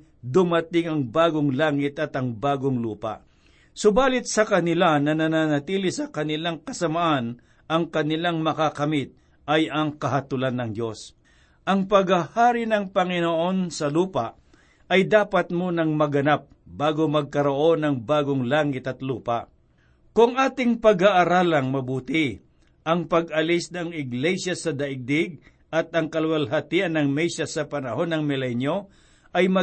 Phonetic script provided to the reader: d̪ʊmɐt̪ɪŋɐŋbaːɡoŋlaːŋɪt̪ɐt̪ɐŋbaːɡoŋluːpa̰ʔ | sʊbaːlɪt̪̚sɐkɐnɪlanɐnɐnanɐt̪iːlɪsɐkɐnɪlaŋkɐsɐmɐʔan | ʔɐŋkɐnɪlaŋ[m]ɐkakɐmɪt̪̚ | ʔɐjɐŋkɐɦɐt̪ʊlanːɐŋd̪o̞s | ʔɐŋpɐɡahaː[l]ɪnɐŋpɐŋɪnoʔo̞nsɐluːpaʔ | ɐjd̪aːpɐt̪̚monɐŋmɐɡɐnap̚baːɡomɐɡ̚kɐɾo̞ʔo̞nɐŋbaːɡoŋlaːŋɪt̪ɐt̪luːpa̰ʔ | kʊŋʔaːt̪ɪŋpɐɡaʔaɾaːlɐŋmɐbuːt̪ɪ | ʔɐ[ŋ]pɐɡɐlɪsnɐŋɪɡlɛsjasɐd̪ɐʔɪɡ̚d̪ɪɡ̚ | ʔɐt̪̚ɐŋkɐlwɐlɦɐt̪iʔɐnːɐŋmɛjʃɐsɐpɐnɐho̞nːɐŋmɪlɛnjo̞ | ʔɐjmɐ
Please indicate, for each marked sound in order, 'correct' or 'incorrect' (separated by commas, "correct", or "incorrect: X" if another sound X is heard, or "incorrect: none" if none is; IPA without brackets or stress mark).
correct, incorrect: ɾ, correct